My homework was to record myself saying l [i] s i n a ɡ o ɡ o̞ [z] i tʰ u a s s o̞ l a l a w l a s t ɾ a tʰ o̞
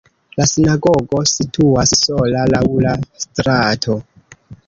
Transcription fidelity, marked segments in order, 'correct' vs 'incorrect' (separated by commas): incorrect, incorrect